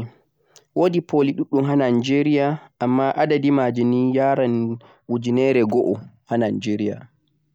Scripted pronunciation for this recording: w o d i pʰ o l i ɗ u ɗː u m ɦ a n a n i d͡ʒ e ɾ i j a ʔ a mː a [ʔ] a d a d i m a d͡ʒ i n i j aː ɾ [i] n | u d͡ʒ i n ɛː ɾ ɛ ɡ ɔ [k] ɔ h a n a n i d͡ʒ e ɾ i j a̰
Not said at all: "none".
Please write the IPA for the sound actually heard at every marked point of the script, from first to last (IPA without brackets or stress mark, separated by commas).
ʔ, a, ʔ